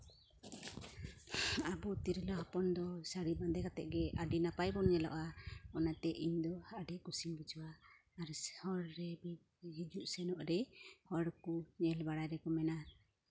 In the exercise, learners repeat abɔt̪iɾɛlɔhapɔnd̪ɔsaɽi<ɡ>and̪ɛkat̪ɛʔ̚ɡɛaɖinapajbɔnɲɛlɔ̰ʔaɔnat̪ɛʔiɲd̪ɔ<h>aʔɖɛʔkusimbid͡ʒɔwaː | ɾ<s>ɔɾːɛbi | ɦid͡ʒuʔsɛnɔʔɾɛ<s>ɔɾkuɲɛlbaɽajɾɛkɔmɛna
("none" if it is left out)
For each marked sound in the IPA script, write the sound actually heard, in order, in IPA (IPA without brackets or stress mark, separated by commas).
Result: b, h, h, h